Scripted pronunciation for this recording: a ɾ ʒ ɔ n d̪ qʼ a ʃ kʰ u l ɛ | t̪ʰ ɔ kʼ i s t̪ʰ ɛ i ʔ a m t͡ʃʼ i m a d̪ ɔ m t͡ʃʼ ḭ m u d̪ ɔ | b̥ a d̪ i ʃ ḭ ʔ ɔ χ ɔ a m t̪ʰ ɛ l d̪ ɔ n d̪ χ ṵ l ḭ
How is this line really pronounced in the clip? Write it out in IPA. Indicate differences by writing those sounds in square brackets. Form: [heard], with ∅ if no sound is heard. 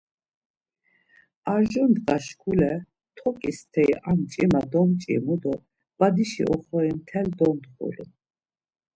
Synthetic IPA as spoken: a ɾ ʒ ɔ n d̪ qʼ a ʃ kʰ u l ɛ | t̪ʰ ɔ kʼ i s t̪ʰ ɛ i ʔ a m t͡ʃʼ i m a d̪ ɔ m t͡ʃʼ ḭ m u d̪ ɔ | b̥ a d̪ i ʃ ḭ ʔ ɔ χ ɔ [i] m t̪ʰ ɛ l d̪ ɔ n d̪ χ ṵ l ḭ